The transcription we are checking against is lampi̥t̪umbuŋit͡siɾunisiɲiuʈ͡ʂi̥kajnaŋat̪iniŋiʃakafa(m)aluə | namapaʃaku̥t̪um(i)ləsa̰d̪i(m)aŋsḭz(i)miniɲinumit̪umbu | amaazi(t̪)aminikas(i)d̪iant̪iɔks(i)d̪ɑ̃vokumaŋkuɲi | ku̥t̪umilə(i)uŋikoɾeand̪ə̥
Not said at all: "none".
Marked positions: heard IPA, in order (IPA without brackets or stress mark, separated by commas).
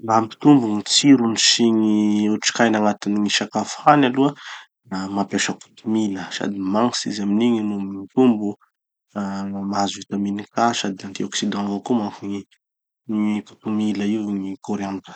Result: n, i, m, a, t̪, a, i, i